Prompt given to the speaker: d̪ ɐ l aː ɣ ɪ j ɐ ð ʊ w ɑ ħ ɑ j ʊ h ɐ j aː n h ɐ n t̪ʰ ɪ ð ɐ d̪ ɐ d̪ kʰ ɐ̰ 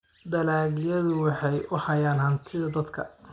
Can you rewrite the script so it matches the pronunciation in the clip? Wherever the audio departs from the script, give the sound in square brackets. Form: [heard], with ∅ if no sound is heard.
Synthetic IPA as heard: d̪ ɐ l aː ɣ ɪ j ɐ ð ʊ w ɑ ħ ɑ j ʊ h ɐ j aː n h ɐ n t̪ʰ ɪ ð ɐ d̪ ɐ d̪ kʰ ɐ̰

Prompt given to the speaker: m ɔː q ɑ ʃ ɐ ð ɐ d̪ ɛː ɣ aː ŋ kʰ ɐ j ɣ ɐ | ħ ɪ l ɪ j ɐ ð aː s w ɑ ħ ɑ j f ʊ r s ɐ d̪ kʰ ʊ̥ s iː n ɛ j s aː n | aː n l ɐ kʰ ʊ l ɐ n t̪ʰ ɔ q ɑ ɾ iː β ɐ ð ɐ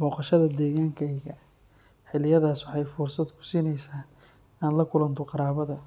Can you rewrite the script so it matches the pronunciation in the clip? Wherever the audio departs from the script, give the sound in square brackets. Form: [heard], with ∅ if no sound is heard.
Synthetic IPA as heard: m ɔː q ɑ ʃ ɐ ð ɐ d̪ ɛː ɣ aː ŋ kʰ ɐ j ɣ ɐ | ħ ɪ l ɪ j ɐ ð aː s w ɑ ħ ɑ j f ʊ r s ɐ d̪ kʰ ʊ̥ s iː n ɛ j s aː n | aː n l ɐ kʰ ʊ l ɐ n t̪ʰ ɔ q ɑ ɾ [aː] β ɐ ð ɐ

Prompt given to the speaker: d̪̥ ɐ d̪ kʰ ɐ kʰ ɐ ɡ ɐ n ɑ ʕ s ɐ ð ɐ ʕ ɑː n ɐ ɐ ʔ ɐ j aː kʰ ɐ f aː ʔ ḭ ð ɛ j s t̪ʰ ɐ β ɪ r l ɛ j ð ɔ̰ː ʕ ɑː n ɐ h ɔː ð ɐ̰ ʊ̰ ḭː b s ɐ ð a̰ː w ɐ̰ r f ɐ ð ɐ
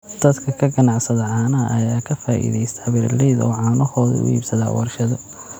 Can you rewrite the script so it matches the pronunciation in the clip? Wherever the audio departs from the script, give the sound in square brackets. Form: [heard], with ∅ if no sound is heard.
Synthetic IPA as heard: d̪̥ ɐ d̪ kʰ ɐ kʰ ɐ ɡ ɐ n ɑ ʕ s ɐ ð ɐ ʕ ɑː n ɐ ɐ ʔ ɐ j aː kʰ ɐ f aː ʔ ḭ ð ɛ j s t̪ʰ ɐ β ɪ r l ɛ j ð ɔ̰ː ʕ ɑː n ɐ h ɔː ð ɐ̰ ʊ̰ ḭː b s ɐ ð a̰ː w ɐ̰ r [ʃ] ɐ ð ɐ

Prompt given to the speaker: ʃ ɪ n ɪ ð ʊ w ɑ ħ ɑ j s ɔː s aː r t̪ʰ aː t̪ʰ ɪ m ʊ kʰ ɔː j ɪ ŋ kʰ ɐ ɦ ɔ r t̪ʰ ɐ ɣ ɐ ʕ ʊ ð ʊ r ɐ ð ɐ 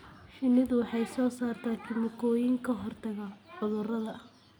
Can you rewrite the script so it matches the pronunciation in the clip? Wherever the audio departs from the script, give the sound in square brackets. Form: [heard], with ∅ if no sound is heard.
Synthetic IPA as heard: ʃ ɪ n ɪ ð ʊ w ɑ ħ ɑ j s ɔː s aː r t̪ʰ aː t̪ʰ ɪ m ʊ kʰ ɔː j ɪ ŋ kʰ ɐ ɦ ɔ r t̪ʰ ɐ ɣ ɐ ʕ ʊ ð ʊ r ɐ ð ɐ

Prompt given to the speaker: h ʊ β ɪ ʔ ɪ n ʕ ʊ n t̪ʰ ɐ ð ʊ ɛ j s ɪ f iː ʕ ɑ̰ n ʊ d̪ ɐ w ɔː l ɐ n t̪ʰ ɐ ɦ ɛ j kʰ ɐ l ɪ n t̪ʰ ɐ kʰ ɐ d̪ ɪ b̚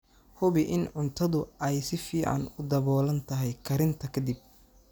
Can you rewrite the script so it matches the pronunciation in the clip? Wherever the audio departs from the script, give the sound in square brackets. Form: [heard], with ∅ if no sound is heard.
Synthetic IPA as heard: h ʊ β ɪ ʔ ɪ n ʕ ʊ n t̪ʰ ɐ ð ʊ ɛ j s ɪ f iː ʕ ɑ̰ n ʊ d̪ ɐ [β] ɔː l ɐ n t̪ʰ ɐ ɦ ɛ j kʰ ɐ [ɾ] ɪ n t̪ʰ ɐ kʰ ɐ d̪ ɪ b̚

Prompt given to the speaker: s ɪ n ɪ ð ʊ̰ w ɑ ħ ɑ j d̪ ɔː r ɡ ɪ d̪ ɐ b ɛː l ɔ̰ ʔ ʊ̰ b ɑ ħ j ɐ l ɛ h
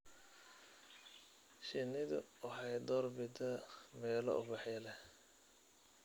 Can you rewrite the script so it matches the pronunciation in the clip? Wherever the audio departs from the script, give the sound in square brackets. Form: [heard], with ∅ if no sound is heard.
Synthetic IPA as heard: [ʃ] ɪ n ɪ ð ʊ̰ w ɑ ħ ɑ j d̪ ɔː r [b] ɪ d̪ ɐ [m] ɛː l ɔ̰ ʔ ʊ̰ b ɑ ħ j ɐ l ɛ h

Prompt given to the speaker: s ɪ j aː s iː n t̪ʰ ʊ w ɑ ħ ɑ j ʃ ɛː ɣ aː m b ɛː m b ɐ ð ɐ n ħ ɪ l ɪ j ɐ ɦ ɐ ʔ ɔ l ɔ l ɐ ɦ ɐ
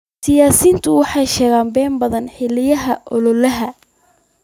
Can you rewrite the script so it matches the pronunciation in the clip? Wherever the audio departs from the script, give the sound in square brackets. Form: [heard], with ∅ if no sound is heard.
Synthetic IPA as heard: s ɪ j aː s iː n t̪ʰ ʊ w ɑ ħ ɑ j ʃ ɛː ɣ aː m b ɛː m b ɐ ð ɐ n ħ ɪ l ɪ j ɐ ɦ ɐ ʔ ɔ l ɔ l ɐ ɦ ɐ

